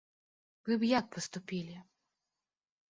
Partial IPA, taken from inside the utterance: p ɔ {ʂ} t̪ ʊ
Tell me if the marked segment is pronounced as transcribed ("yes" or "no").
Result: no